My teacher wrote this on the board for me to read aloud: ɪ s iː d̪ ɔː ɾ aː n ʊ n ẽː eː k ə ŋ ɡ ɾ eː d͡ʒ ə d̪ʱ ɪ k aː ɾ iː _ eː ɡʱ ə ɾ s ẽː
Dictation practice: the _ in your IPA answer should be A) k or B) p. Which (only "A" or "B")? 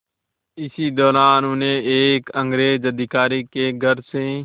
A